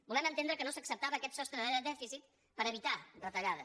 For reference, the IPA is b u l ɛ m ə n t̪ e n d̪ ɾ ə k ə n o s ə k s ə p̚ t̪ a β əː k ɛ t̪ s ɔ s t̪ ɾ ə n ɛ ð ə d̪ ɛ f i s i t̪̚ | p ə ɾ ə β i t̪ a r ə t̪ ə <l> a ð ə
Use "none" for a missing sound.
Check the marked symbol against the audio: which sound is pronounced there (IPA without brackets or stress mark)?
ʎ